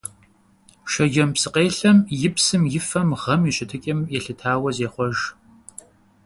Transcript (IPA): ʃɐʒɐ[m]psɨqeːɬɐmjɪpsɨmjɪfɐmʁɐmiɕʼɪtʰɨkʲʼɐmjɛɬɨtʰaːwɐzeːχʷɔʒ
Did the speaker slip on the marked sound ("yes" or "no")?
no